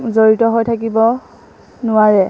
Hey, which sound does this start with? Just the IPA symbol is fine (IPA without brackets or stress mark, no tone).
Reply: z